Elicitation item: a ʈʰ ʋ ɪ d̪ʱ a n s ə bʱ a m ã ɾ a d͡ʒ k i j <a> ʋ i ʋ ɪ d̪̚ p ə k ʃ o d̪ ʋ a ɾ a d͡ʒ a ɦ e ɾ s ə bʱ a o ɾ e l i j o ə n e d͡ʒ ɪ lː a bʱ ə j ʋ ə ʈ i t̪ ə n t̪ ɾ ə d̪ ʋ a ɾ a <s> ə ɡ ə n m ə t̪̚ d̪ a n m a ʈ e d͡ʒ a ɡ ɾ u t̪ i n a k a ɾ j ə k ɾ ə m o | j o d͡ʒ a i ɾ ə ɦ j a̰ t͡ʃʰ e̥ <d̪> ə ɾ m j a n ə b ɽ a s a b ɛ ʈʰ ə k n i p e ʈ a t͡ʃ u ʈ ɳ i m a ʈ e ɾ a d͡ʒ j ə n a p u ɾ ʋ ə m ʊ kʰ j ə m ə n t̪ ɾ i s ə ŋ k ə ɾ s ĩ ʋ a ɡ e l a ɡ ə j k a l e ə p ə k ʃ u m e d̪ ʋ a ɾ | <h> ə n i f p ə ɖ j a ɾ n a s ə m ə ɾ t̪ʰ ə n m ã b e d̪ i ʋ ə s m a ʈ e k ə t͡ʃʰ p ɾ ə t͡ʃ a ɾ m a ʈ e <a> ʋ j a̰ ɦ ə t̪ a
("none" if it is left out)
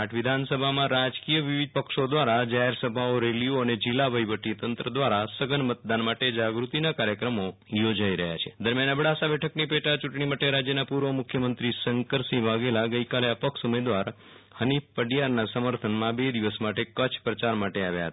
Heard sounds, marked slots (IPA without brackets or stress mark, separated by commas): ə, s, d̪, h, a